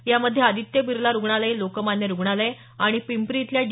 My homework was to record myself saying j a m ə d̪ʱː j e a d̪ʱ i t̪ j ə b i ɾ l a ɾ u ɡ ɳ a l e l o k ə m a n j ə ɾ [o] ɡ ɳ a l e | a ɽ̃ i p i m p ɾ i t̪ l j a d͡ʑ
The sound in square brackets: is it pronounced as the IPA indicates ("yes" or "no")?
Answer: no